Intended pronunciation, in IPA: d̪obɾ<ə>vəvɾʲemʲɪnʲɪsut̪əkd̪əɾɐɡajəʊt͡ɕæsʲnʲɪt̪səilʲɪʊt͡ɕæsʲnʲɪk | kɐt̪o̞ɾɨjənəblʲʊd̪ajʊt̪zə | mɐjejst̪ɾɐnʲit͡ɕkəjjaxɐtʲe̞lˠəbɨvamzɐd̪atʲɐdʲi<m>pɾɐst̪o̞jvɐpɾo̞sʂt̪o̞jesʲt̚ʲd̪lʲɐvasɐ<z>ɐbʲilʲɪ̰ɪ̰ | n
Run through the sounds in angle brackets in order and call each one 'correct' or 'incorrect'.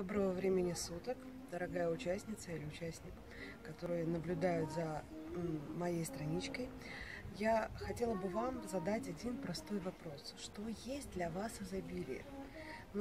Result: correct, incorrect, correct

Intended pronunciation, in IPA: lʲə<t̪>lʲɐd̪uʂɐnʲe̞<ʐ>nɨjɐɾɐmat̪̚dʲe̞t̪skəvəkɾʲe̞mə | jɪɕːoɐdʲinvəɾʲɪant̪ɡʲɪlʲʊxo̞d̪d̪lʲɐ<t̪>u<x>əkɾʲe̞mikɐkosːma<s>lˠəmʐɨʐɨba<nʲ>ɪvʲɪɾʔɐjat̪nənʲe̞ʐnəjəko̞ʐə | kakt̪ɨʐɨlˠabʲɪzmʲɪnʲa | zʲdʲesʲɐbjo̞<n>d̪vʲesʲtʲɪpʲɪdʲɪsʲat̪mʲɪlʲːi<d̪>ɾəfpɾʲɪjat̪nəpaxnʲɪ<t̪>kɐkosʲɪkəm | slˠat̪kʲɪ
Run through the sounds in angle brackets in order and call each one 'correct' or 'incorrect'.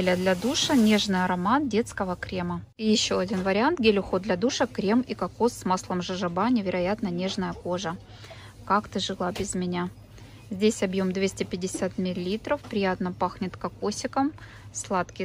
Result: incorrect, correct, incorrect, incorrect, correct, correct, incorrect, incorrect, correct

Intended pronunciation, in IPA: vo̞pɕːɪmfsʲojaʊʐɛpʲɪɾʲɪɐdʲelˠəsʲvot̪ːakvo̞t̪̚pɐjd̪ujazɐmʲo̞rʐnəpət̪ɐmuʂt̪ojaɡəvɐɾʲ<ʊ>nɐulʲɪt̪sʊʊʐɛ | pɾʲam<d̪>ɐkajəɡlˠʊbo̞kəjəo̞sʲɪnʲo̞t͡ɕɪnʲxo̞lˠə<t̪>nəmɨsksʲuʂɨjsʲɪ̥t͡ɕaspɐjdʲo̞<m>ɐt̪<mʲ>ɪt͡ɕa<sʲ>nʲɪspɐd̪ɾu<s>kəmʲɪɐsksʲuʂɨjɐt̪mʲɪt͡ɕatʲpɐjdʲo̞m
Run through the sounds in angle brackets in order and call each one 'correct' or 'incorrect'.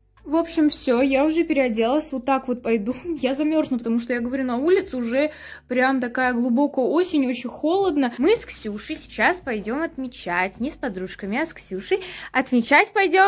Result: incorrect, incorrect, incorrect, correct, correct, incorrect, incorrect

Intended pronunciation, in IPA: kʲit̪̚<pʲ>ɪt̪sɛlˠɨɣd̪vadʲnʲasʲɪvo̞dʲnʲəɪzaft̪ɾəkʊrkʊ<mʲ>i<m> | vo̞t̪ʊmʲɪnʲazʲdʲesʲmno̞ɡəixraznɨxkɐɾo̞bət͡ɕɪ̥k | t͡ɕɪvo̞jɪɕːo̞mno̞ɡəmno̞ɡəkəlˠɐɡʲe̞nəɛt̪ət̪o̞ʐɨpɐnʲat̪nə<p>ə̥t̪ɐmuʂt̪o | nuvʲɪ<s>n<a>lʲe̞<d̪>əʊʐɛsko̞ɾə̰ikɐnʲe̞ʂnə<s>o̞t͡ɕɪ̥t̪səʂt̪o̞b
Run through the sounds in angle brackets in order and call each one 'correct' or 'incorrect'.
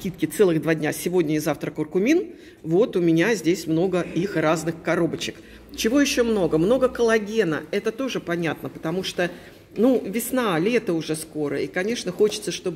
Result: incorrect, correct, incorrect, correct, correct, correct, incorrect, incorrect

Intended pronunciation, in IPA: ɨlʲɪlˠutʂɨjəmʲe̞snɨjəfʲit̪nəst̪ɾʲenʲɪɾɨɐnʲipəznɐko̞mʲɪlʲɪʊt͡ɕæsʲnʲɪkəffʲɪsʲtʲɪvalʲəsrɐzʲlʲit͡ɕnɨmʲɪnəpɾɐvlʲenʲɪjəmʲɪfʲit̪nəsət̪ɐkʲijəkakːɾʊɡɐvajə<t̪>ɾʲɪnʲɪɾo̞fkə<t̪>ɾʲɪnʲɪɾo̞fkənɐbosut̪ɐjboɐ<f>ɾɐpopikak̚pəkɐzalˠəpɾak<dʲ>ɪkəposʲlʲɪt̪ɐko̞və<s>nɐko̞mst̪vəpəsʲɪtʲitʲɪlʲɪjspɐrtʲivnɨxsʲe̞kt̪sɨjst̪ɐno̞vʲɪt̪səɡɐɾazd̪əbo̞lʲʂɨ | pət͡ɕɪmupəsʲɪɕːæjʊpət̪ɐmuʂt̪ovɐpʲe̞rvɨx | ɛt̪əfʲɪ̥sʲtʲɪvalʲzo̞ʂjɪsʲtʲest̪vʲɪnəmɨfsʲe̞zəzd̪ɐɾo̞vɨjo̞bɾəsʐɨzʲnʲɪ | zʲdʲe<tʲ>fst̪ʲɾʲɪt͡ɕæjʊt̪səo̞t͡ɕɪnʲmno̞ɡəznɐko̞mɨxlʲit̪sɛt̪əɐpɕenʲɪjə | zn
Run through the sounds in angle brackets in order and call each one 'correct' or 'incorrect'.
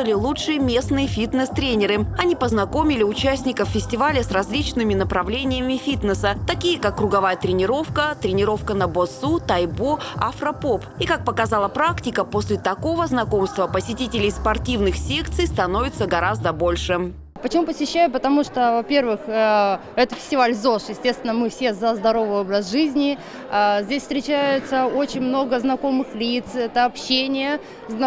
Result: correct, correct, correct, incorrect, incorrect, incorrect

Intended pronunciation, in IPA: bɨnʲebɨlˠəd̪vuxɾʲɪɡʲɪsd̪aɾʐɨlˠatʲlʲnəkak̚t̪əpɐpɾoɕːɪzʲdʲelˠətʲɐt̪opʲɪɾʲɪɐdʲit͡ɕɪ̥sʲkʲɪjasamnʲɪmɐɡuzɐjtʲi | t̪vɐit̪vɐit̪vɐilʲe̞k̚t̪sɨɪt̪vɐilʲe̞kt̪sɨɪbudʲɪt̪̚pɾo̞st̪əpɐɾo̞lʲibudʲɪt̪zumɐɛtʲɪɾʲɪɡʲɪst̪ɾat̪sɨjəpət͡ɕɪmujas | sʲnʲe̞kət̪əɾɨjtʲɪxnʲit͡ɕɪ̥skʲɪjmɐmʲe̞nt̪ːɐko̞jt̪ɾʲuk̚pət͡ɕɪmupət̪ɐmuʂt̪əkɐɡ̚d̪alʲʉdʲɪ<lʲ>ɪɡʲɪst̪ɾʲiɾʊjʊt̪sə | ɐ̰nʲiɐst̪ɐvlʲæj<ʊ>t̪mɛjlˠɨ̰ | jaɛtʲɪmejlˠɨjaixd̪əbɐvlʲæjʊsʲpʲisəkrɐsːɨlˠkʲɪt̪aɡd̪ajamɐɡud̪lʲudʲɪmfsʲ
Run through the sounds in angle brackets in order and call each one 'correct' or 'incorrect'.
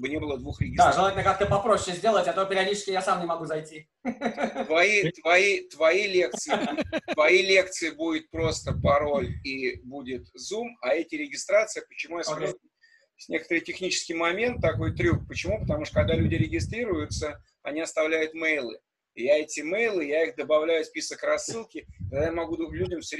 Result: incorrect, correct

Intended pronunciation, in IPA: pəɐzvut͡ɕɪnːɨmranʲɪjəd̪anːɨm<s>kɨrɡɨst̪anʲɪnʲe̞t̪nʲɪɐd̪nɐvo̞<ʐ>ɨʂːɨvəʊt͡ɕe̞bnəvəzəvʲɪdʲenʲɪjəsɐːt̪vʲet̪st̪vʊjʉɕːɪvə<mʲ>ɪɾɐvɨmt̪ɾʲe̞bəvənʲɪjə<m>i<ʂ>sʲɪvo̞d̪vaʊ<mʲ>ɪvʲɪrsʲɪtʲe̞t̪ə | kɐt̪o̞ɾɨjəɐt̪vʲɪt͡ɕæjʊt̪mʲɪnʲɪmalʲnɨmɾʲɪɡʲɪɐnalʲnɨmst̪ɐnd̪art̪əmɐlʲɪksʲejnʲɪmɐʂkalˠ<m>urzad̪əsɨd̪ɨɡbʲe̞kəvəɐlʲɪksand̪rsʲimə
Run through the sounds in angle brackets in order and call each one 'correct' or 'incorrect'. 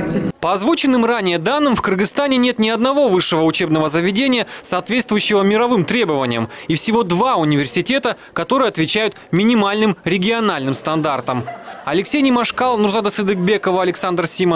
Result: incorrect, incorrect, correct, correct, incorrect, incorrect, incorrect

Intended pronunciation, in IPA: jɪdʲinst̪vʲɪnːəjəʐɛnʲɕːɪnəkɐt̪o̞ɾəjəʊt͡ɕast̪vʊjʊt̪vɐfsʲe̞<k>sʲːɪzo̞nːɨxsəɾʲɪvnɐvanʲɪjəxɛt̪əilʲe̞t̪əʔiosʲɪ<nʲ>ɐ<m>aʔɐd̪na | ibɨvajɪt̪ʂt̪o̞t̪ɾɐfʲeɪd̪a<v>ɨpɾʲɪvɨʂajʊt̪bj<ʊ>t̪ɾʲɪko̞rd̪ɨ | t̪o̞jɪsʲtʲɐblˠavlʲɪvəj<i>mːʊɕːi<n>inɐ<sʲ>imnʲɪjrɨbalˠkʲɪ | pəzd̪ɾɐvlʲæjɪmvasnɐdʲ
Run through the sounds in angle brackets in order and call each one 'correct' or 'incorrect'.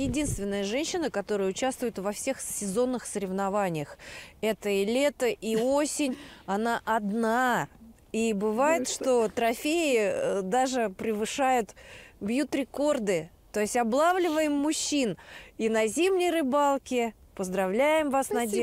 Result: incorrect, correct, incorrect, incorrect, incorrect, incorrect, correct, incorrect

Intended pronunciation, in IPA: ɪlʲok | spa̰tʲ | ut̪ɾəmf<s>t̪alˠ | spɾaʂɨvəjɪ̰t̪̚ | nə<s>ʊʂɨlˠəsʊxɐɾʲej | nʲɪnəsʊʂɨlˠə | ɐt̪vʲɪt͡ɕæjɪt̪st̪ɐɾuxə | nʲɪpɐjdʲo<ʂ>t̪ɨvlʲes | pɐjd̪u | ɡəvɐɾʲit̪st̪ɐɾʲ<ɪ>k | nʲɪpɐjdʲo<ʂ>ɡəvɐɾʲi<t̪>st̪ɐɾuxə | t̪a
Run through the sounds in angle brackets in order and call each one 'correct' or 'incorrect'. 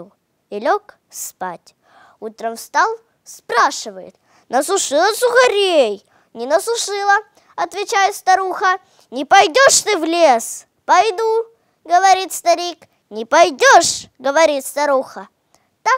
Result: correct, correct, correct, incorrect, correct, correct

